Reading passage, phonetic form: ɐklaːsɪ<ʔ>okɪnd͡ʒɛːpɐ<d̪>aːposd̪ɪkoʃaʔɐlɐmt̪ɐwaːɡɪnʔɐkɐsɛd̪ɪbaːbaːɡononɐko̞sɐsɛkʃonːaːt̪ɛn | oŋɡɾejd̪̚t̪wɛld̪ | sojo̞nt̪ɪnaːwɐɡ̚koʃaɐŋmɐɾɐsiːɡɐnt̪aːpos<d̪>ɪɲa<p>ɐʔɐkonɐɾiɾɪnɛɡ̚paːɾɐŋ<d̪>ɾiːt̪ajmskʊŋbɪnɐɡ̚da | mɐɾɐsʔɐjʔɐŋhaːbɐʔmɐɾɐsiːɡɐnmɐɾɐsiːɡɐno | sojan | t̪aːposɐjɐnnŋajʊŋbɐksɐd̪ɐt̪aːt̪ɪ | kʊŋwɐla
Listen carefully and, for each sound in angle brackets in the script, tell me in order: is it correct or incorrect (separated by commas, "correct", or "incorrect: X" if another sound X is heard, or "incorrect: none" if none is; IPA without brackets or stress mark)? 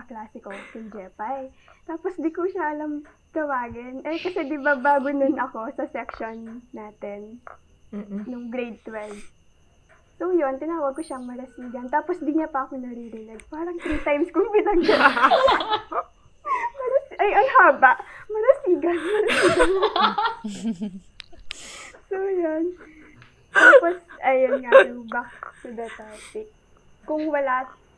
incorrect: k, incorrect: t̪, correct, correct, incorrect: t̪